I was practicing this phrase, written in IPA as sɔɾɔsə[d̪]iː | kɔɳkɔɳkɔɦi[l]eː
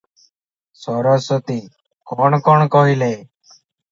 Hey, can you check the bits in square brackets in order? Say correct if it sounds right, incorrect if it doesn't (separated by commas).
incorrect, correct